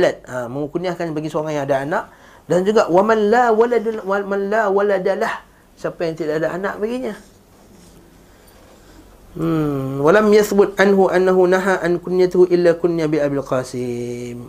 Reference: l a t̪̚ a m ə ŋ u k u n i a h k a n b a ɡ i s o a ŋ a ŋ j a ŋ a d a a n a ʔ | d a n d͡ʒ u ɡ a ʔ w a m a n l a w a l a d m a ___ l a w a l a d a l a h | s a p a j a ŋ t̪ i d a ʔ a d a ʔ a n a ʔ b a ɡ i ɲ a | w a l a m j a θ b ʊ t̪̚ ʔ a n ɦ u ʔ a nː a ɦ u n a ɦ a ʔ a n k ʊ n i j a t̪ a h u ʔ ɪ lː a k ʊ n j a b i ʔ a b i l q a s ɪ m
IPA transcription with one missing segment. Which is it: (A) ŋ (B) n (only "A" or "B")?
B